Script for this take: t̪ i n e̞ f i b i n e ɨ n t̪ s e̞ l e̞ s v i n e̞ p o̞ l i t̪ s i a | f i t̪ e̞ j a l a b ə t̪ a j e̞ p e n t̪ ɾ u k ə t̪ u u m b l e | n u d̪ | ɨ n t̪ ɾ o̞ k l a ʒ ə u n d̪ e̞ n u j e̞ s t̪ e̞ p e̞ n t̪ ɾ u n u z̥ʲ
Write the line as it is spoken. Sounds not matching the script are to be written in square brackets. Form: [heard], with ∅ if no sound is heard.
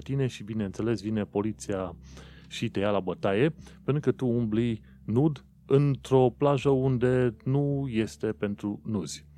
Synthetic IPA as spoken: t̪ i n e̞ [ʃ] i b i n e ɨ n t̪ s e̞ l e̞ s v i n e̞ p o̞ l i t̪ s i a | [ʃ] i t̪ e̞ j a l a b ə t̪ a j e̞ p e n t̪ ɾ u k ə t̪ u u m b l [i] | n u d̪ | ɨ n t̪ ɾ o̞ [p] l a ʒ ə u n d̪ e̞ n u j e̞ s t̪ e̞ p e̞ n t̪ ɾ u n u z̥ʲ